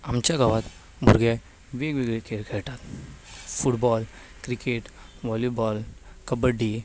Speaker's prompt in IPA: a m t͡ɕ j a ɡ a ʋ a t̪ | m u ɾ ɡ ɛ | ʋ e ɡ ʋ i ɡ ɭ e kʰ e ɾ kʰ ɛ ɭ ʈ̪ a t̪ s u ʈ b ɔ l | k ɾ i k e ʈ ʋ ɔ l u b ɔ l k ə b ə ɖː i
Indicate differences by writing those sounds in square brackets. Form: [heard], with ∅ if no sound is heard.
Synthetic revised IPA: a m t͡ɕ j a ɡ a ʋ a t̪ | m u ɾ ɡ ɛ | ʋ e ɡ ʋ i ɡ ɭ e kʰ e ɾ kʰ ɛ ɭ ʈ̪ a t̪ [f] u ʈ b ɔ l | k ɾ i k e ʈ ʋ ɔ l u b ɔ l k ə b ə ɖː i